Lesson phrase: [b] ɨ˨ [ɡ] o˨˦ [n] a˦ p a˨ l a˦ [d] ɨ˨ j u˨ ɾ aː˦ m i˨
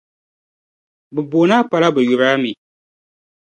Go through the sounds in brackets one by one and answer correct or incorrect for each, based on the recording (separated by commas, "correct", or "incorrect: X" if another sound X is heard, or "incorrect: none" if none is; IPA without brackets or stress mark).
correct, incorrect: b, correct, incorrect: b